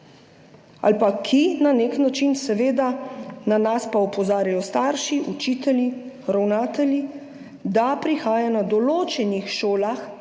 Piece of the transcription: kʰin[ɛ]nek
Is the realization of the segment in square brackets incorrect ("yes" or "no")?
yes